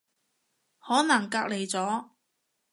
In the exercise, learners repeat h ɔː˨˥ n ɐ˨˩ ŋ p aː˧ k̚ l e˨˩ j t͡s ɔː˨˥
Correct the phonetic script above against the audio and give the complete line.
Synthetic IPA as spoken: h ɔː˨˥ n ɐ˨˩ ŋ k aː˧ k̚ l e˨˩ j t͡s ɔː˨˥